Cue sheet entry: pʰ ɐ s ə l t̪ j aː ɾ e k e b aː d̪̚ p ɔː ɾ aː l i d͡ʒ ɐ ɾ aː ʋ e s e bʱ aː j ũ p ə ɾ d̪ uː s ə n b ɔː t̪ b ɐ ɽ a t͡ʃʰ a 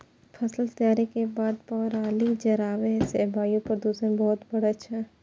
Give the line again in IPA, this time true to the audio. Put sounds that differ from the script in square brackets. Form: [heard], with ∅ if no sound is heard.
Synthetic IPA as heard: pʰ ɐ s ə l t̪ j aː ɾ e k e b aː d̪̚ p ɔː ɾ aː l i d͡ʒ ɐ ɾ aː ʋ e s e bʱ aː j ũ p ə ɾ d̪ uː s ə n b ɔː t̪ b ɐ ɽ a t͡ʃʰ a